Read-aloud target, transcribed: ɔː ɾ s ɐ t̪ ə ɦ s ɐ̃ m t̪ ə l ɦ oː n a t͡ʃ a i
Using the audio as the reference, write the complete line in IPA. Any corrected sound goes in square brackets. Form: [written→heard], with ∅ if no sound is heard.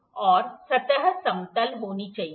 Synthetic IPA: ɔː ɾ s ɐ t̪ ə ɦ s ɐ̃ m t̪ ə l ɦ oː n [a→i] t͡ʃ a i